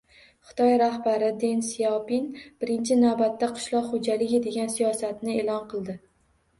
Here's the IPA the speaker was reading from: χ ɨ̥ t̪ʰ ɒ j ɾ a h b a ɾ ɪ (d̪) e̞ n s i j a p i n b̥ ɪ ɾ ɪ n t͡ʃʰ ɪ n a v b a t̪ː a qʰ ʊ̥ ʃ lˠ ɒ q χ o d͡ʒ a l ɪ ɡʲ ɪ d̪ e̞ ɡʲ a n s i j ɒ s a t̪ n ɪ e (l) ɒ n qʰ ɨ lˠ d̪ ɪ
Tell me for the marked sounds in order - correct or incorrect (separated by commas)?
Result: correct, correct